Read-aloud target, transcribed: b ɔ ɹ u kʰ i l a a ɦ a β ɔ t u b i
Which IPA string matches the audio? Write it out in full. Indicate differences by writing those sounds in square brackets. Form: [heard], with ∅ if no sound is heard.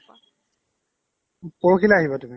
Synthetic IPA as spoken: [p] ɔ ɹ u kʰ i l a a ɦ [i] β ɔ t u [m] i